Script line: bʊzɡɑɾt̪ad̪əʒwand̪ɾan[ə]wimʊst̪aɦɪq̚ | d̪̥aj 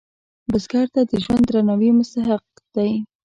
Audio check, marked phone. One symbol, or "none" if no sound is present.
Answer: a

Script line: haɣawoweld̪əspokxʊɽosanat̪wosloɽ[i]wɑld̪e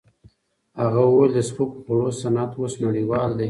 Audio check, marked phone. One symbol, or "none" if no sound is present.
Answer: i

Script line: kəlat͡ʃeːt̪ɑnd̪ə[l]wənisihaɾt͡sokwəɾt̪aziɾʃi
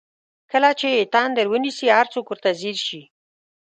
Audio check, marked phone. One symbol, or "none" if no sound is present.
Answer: ɾ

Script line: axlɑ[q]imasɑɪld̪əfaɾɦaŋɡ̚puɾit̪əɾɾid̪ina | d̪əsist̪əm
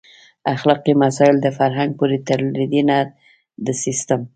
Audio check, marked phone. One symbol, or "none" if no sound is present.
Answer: q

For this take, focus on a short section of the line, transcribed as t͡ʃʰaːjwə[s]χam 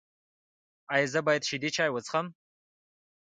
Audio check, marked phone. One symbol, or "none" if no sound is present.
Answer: t͡s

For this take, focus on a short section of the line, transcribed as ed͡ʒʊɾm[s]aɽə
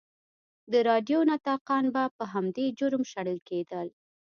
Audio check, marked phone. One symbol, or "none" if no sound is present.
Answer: ʃ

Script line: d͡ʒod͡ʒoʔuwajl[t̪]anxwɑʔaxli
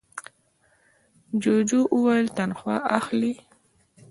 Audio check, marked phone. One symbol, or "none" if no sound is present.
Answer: t̪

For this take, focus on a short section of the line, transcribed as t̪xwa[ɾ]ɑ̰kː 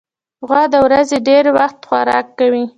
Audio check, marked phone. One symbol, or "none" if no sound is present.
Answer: ɾ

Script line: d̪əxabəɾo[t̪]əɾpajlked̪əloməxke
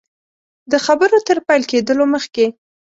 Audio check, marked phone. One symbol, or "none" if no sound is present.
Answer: t̪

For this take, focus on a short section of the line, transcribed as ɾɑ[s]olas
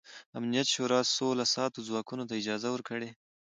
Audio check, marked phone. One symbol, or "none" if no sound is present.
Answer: s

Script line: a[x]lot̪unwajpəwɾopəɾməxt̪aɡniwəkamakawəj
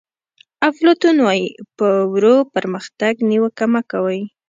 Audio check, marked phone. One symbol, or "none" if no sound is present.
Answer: f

